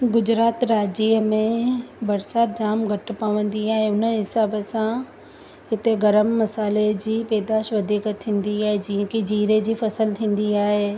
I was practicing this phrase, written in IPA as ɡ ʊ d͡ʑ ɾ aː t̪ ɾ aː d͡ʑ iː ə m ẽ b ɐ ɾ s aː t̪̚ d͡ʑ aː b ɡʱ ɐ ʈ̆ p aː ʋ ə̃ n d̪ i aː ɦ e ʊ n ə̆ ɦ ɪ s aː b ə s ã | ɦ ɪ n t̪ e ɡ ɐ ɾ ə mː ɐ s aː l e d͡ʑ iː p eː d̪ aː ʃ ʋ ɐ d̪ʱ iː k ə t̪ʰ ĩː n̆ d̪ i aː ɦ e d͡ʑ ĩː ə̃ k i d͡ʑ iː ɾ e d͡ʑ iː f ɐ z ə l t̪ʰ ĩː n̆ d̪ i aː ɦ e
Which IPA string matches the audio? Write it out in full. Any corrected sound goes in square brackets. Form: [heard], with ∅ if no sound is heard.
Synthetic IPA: ɡ ʊ d͡ʑ ɾ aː t̪ ɾ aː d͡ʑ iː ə m ẽ b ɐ ɾ s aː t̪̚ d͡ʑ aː [m] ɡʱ ɐ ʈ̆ p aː ʋ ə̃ n d̪ i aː ɦ e ʊ n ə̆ ɦ ɪ s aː b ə s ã | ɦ ɪ [∅] t̪ e ɡ ɐ ɾ ə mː ɐ s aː l e d͡ʑ iː p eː d̪ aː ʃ ʋ ɐ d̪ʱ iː k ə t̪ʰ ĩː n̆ d̪ i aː ɦ e d͡ʑ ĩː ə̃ k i d͡ʑ iː ɾ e d͡ʑ iː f ɐ [s] ə l t̪ʰ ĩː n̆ d̪ i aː ɦ e